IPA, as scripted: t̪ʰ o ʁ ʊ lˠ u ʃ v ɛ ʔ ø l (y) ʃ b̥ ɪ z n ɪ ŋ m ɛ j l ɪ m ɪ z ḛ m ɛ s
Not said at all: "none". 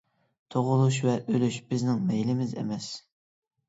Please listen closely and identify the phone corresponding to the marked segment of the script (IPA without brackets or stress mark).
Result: y